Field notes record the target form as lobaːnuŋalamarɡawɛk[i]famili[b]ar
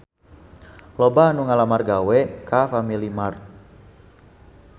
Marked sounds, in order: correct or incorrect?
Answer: incorrect, incorrect

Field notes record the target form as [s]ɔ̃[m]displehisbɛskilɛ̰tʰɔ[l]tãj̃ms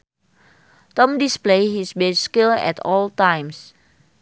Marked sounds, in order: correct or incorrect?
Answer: incorrect, correct, correct

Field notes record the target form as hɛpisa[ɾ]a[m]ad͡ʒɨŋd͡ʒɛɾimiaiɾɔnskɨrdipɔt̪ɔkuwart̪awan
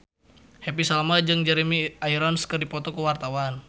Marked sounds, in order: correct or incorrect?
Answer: incorrect, correct

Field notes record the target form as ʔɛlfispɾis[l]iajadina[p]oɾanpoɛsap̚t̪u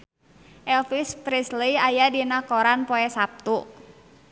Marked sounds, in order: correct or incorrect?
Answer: correct, incorrect

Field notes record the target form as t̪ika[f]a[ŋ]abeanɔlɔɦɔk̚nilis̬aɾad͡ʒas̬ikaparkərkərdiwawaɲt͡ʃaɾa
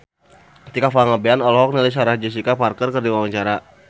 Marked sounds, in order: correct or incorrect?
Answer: correct, correct

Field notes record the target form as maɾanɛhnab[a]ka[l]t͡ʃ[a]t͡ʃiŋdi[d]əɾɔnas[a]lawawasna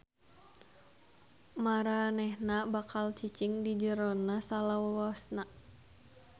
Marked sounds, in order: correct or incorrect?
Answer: correct, correct, incorrect, incorrect, correct

